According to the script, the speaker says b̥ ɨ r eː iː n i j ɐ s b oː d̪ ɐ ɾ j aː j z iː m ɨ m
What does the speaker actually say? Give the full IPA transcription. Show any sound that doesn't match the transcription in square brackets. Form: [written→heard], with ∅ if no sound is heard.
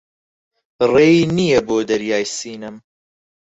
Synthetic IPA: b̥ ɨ r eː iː n i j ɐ [s→∅] b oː d̪ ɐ ɾ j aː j [z→s] iː [m→n] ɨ m

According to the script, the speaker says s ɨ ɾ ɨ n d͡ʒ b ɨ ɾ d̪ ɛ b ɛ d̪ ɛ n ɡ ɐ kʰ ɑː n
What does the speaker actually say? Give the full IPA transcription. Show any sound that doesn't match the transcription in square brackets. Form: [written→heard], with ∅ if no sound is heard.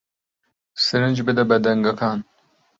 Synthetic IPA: s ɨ ɾ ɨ n d͡ʒ b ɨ [ɾ→∅] d̪ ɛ b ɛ d̪ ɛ [n→ŋ] ɡ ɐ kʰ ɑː n

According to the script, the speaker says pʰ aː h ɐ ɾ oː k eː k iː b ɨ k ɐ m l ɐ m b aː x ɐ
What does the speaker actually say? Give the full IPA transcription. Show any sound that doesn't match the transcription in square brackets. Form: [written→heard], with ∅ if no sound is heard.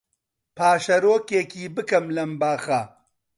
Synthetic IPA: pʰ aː [h→ʃ] ɐ ɾ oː k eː k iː b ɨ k ɐ m l ɐ m b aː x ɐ

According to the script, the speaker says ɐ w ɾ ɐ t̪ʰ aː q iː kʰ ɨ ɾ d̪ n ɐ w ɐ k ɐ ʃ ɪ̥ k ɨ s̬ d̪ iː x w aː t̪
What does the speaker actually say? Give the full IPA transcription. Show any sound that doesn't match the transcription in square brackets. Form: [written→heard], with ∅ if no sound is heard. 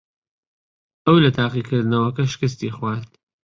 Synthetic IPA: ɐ w [ɾ→l] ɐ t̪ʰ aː q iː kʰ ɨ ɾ d̪ n ɐ w ɐ k ɐ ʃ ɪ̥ k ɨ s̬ [d̪→t̪] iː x w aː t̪

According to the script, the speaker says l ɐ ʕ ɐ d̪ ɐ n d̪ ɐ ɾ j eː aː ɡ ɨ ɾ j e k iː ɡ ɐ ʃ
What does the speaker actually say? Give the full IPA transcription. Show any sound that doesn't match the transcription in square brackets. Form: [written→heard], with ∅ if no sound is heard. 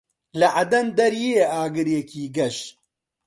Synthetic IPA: l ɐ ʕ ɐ d̪ ɐ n d̪ ɐ ɾ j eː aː ɡ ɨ ɾ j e k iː ɡ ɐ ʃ

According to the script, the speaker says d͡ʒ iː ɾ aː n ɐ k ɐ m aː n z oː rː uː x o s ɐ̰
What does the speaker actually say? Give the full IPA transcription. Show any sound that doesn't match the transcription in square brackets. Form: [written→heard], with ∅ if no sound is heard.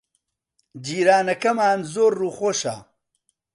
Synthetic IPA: d͡ʒ iː ɾ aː n ɐ k ɐ m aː n z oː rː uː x o [s→ʃ] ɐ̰

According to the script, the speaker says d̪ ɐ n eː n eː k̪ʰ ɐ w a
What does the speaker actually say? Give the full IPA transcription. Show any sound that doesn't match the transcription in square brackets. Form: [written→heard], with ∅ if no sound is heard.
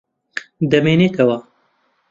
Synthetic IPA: d̪ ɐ [n→m] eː n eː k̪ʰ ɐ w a

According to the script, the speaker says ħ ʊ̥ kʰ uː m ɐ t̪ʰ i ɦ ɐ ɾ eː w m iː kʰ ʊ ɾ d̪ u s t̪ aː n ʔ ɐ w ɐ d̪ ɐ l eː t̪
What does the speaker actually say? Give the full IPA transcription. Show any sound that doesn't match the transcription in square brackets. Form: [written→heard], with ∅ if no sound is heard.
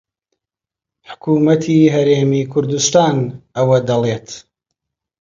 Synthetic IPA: ħ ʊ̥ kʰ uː m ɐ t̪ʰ i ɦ ɐ ɾ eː [w→∅] m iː kʰ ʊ ɾ d̪ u s t̪ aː n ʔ ɐ w ɐ d̪ ɐ l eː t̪

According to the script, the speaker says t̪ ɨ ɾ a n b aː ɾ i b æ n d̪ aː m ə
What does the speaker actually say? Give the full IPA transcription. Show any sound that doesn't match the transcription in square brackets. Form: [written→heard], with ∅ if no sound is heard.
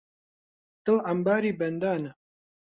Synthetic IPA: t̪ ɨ [ɾ→l] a [n→m] b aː ɾ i b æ n d̪ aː [m→n] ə

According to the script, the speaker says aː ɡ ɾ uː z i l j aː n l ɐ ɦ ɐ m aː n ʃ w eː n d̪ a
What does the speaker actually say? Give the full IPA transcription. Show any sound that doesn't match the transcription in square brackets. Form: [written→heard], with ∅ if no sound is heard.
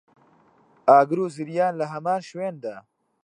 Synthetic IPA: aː ɡ ɾ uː z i [l→ɾ] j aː n l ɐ ɦ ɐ m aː n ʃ w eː n d̪ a

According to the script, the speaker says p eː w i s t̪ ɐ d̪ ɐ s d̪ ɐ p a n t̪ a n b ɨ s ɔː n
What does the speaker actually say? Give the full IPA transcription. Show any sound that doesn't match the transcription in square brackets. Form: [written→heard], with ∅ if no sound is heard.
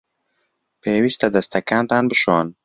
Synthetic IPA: p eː w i s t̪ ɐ d̪ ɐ s [d̪→t̪] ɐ [p→k] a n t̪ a n b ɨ [s→ʃ] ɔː n

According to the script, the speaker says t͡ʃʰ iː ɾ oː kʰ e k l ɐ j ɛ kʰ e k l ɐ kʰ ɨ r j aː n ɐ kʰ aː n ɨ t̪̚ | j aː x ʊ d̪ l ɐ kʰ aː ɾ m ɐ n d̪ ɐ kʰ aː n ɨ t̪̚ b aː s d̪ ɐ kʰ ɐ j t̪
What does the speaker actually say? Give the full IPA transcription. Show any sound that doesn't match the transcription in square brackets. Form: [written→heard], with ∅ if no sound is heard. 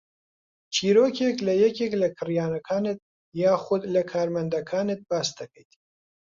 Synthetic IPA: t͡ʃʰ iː ɾ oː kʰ e k l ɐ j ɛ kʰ e k l ɐ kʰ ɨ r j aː n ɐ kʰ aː n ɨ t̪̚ | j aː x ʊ d̪ l ɐ kʰ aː ɾ m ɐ n d̪ ɐ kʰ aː n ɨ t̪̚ b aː s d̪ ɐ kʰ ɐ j t̪

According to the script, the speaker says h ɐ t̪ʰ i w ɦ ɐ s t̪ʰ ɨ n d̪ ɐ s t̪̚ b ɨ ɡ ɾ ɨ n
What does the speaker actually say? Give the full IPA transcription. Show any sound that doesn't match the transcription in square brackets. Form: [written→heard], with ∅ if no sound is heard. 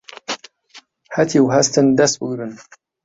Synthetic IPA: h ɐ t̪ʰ i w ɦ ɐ s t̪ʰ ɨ n d̪ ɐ s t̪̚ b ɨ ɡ ɾ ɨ n

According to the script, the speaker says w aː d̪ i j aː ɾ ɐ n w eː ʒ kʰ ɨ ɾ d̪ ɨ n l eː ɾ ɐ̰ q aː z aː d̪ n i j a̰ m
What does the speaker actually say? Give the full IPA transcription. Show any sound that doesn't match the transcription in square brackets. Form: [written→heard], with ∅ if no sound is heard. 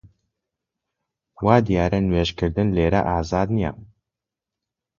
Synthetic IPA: w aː d̪ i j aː ɾ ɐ n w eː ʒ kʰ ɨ ɾ d̪ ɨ n l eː ɾ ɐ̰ [q→ʔ] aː z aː d̪ n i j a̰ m

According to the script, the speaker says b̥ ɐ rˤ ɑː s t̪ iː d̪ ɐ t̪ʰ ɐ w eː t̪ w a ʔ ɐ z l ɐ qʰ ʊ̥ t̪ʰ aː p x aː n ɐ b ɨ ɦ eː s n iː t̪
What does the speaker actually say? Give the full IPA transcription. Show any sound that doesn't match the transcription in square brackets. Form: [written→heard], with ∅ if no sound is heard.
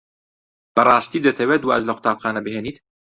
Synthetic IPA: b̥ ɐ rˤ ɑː s t̪ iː d̪ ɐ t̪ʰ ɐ w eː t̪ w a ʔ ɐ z l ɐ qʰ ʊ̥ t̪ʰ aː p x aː n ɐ b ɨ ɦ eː [s→∅] n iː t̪

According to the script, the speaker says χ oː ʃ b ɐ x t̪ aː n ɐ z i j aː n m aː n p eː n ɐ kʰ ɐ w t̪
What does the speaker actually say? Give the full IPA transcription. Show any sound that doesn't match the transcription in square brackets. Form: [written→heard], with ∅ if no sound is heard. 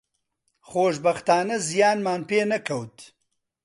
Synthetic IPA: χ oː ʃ b ɐ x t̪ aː n ɐ z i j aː n m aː n p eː n ɐ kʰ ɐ w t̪

